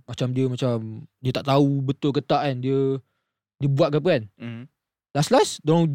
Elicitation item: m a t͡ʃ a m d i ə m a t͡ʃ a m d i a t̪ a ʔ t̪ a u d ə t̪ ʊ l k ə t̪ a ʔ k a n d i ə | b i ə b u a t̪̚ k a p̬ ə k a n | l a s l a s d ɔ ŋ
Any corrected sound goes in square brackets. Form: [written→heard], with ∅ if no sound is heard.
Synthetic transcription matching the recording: m a t͡ʃ a m d i ə m a t͡ʃ a m d i [a→ə] t̪ a ʔ t̪ a u [d→b] ə t̪ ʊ l k ə t̪ a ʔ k a n d i ə | [b→d] i ə b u a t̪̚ k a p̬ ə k a n | l a s l a s d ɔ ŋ